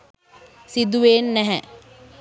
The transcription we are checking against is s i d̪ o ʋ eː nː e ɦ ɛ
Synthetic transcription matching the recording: s i d̪ u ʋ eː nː ɛ ɦ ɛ